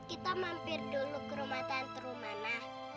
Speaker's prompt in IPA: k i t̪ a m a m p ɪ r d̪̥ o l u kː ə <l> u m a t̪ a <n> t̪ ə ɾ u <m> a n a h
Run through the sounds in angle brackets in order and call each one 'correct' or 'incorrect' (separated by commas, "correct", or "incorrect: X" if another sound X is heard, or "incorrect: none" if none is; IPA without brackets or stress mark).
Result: incorrect: ɾ, correct, correct